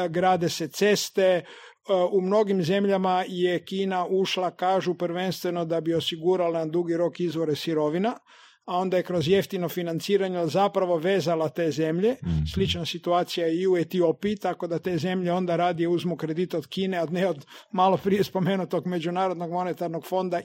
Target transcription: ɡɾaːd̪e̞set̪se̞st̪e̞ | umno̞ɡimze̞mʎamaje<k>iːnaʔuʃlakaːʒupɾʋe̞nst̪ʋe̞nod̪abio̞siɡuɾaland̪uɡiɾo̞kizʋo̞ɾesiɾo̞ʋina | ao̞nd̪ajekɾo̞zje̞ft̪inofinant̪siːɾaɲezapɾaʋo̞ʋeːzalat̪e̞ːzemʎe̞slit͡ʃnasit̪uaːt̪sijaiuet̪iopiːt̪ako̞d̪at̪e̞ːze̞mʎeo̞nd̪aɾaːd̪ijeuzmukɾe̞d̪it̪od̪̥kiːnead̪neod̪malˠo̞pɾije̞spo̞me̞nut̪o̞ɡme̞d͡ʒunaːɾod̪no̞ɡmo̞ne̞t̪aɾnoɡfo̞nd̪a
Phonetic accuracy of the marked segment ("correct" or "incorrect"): correct